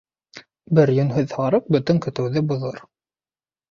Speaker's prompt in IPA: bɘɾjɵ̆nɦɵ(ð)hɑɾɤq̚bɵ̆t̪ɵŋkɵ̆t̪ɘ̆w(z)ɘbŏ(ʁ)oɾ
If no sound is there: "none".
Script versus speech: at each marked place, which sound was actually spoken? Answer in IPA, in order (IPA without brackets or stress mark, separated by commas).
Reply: ð, ð, ð